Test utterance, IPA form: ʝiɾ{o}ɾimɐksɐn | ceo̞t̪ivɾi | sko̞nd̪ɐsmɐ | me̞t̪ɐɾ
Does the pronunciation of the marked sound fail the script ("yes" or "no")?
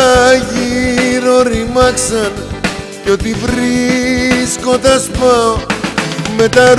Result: no